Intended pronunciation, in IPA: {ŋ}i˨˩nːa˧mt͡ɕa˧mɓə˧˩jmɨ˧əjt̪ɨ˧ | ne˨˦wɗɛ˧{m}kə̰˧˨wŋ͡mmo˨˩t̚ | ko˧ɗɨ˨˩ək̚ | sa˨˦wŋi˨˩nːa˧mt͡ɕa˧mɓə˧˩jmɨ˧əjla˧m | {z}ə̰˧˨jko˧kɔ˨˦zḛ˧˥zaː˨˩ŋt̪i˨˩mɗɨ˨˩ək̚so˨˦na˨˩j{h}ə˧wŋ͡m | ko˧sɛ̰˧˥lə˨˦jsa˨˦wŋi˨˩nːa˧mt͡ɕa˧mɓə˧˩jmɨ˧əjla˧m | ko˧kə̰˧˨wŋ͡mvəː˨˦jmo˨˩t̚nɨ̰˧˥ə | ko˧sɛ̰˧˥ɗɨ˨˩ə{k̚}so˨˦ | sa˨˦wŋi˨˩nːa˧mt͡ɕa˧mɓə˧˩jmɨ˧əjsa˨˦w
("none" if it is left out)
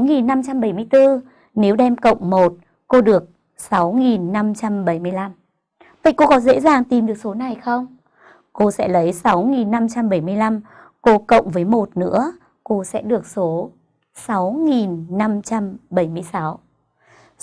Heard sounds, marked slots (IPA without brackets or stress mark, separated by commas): ŋ, m, v, x, k̚